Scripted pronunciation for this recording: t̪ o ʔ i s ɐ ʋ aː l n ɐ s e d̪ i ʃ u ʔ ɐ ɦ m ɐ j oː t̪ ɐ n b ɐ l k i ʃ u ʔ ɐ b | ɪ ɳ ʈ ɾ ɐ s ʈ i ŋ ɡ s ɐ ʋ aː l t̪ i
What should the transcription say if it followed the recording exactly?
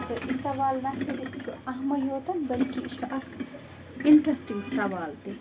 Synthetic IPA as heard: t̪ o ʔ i s ɐ ʋ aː l n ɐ s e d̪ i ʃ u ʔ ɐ ɦ m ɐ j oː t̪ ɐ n b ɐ l k i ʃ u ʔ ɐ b | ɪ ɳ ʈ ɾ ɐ s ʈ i ŋ ɡ s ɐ ʋ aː l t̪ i